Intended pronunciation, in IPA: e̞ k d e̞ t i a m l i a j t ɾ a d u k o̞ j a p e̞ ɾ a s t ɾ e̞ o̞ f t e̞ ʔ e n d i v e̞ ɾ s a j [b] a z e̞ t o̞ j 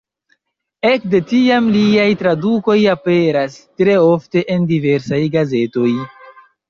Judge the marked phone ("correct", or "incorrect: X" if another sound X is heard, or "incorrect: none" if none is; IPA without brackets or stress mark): incorrect: ɡ